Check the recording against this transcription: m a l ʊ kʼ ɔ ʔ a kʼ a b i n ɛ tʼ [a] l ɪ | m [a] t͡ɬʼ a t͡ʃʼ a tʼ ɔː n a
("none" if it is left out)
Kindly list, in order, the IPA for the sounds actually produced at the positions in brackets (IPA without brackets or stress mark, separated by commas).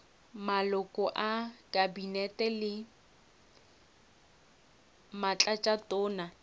ɛ, a